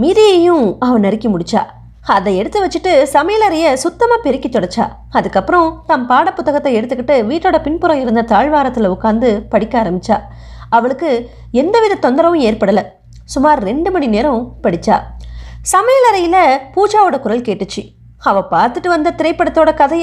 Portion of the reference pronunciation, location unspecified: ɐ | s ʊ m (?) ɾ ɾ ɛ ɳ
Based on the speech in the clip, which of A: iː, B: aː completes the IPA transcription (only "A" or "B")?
B